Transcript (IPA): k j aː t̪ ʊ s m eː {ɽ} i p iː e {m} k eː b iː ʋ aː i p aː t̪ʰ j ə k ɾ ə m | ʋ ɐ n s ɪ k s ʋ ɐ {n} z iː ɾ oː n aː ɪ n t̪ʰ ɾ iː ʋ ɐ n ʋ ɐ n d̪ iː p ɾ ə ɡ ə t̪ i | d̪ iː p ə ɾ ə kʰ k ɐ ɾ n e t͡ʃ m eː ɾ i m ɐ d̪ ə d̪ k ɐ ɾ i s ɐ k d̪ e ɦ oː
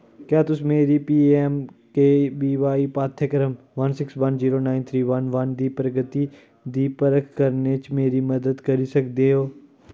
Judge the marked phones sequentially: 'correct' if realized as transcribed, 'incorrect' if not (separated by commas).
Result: incorrect, correct, correct